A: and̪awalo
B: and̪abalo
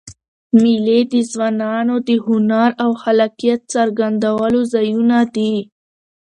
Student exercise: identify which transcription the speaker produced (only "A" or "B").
A